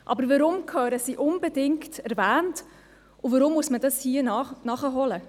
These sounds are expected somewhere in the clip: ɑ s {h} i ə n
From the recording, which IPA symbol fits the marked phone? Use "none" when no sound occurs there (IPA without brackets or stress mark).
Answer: h